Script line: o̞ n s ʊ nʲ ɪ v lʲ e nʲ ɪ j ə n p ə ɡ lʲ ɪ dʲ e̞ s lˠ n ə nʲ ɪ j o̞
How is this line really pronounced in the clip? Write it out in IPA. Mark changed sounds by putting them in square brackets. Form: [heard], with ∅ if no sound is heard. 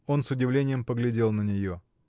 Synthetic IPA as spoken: o̞ n s ʊ [dʲ] ɪ v lʲ e nʲ ɪ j ə [m] p ə ɡ lʲ ɪ dʲ e̞ [∅] lˠ n ə nʲ ɪ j o̞